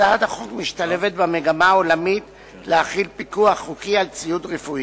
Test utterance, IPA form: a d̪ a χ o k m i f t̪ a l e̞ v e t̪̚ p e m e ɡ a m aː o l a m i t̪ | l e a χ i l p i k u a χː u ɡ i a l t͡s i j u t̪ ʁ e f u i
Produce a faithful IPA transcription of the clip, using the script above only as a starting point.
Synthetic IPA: a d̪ a χ o k m i ʃ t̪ a l e̞ v e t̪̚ b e m e ɡ a m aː o l a m i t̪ | l e a χ i l p i k u a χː u k i a l t͡s i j u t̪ ʁ e f u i